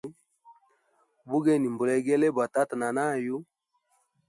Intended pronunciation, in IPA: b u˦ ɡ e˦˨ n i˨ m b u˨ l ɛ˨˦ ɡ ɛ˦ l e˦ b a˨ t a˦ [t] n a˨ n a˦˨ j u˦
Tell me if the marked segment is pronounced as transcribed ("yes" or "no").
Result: yes